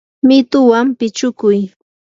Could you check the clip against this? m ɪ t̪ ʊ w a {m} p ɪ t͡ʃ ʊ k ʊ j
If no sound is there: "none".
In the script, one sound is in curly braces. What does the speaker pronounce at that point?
m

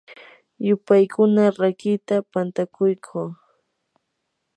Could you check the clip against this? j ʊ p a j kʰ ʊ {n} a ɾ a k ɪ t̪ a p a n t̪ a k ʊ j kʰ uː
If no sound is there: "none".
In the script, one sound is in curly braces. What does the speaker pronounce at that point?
n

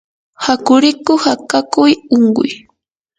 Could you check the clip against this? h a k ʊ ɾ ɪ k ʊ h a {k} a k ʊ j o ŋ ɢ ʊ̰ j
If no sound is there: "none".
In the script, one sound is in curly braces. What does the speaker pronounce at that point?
k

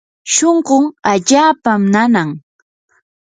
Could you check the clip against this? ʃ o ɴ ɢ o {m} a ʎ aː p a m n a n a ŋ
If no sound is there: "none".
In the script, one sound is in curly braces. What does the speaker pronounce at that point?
ŋ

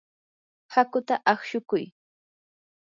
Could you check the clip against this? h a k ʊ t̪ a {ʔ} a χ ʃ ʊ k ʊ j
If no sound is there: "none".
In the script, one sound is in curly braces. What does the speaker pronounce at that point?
ʔ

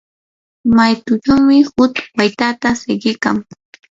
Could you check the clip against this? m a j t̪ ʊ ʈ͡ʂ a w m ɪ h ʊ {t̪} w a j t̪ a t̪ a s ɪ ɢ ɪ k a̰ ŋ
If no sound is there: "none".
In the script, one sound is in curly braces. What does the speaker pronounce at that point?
t̪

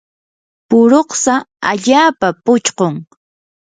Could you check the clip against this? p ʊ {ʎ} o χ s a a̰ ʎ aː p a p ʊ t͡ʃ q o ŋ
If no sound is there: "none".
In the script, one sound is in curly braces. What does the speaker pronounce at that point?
ɾ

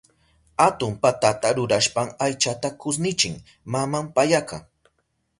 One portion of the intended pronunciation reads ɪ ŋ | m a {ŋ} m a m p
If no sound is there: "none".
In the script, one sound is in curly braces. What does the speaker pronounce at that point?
none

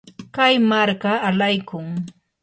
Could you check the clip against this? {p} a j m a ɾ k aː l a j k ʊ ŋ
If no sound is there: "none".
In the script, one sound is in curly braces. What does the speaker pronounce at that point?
k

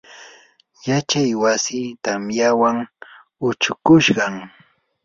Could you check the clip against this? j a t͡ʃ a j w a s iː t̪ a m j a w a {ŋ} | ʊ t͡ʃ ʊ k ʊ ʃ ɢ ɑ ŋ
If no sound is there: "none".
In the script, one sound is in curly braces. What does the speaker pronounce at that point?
ŋ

